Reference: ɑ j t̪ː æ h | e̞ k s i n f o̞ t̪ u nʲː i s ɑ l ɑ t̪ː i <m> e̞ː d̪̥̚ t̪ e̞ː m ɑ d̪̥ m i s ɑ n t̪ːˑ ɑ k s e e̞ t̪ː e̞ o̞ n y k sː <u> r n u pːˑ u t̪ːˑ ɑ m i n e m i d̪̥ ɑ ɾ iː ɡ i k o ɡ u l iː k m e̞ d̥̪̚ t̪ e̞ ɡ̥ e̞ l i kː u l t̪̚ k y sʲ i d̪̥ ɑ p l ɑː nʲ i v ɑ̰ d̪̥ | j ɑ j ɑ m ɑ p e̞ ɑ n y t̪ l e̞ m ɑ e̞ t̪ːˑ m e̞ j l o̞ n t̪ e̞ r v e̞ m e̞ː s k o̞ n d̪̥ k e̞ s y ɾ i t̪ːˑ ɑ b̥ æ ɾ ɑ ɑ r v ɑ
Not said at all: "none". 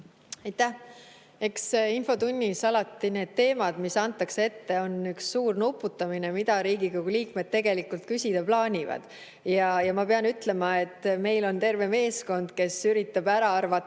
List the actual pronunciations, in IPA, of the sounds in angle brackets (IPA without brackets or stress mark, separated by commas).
n, uː